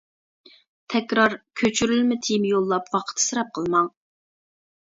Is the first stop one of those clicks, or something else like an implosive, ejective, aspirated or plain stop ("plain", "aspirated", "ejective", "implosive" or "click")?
aspirated